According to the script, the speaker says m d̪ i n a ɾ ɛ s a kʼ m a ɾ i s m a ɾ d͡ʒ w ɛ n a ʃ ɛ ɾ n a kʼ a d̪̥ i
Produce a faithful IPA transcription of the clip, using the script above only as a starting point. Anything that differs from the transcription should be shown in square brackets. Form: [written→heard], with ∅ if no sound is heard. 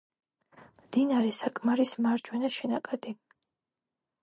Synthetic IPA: m d̪ i n a ɾ ɛ s a kʼ m a ɾ i s m a ɾ d͡ʒ w ɛ n a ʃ ɛ [ɾ→∅] n a kʼ a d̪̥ i